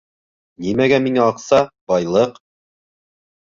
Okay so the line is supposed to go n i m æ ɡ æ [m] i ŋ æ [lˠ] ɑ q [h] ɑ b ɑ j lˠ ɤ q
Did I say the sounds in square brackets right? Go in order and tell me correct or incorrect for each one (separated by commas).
correct, incorrect, incorrect